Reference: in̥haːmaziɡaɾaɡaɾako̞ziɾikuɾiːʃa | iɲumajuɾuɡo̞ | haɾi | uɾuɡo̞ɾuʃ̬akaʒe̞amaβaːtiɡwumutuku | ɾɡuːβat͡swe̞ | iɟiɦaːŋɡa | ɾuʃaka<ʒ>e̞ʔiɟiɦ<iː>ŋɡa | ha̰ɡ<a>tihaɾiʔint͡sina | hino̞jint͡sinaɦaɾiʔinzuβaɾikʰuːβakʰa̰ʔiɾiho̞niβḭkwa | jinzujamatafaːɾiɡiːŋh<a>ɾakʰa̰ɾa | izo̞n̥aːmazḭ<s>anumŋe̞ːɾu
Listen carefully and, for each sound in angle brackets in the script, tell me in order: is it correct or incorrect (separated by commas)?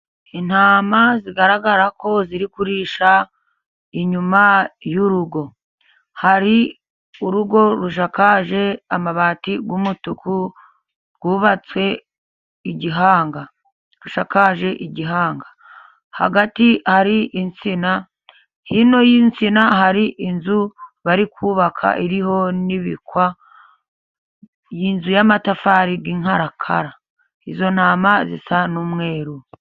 correct, incorrect, correct, correct, correct